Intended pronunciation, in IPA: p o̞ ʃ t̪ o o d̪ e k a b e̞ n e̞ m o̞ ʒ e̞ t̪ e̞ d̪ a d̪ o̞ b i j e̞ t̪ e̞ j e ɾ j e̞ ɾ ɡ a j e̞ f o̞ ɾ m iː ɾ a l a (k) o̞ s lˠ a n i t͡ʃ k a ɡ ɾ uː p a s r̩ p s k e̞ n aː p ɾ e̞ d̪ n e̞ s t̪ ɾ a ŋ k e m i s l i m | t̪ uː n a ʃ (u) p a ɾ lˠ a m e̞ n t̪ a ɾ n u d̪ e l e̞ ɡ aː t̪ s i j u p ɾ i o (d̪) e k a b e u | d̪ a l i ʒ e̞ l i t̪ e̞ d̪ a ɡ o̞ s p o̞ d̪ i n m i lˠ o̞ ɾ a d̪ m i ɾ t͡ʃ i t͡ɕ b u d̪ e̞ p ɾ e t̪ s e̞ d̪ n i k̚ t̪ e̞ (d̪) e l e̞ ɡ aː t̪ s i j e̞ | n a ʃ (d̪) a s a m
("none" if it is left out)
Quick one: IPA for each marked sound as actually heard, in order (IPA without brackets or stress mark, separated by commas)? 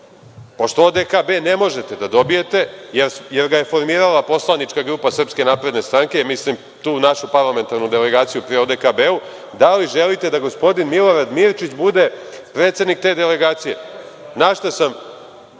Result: p, u, d̪, d̪, t̪